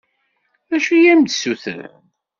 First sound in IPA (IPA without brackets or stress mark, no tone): æ